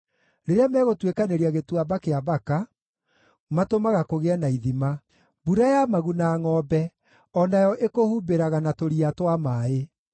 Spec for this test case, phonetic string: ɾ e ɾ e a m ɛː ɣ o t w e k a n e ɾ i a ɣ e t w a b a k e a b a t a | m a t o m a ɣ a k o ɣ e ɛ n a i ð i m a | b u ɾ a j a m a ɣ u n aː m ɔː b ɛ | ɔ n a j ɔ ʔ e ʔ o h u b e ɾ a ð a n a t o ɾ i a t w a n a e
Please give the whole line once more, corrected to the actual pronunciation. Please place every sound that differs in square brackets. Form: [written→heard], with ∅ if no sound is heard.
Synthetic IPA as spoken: ɾ e ɾ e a m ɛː ɣ o t w e k a n e ɾ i a ɣ e t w a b a k e a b a [t→k] a | m a t o m a ɣ a k o ɣ e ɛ n a i ð i m a | b u ɾ a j a m a ɣ u n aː [m→ŋ] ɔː b ɛ | ɔ n a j ɔ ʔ e [ʔ→k] o h u b e ɾ a [ð→ɣ] a n a t o ɾ i a t w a [n→m] a e